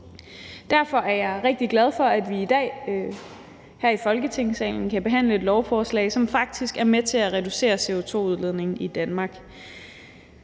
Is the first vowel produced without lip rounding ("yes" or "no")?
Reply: yes